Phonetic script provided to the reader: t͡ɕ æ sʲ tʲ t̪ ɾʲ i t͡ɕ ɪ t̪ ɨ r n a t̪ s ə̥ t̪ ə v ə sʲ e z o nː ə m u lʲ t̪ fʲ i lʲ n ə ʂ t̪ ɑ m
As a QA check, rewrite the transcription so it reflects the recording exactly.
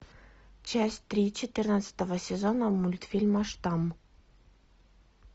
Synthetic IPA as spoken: t͡ɕ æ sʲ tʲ t̪ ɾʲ i t͡ɕ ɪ t̪ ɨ r n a t̪ s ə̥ t̪ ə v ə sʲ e z o n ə m u lʲ t̪ fʲ i lʲ m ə ʂ t̪ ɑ m